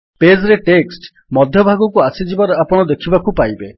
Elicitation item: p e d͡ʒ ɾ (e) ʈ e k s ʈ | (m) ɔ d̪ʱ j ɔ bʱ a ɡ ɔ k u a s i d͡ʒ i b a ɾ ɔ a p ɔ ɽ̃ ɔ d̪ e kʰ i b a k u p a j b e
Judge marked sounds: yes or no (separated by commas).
yes, yes